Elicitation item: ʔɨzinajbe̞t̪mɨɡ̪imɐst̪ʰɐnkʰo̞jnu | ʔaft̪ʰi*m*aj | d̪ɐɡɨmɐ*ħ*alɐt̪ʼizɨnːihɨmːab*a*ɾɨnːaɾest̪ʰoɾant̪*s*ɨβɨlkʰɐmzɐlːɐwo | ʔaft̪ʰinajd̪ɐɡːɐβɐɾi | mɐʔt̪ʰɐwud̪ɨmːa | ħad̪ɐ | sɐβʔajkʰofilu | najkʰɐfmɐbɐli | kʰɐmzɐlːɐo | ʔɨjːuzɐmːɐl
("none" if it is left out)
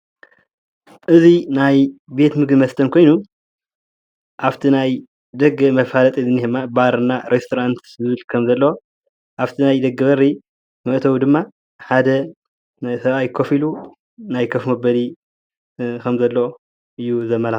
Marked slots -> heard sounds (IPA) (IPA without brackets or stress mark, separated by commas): n, f, a, z